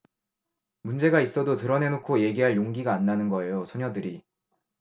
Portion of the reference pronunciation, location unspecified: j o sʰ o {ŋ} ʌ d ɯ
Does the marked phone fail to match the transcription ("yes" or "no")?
yes